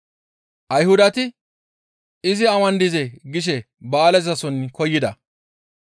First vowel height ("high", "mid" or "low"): low